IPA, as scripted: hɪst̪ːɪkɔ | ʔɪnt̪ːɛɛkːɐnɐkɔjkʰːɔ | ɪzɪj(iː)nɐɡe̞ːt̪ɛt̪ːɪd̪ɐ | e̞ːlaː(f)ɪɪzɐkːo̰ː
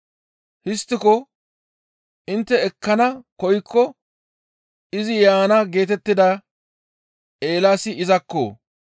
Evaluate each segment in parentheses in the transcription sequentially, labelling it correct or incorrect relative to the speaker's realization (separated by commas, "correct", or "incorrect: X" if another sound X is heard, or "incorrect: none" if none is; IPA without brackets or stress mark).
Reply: incorrect: aː, incorrect: s